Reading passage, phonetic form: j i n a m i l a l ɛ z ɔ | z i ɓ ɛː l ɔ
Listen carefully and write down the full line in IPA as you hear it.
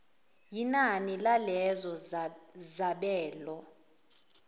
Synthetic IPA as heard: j i n a n i l a l ɛ z ɔ | z a ɓ ɛː l ɔ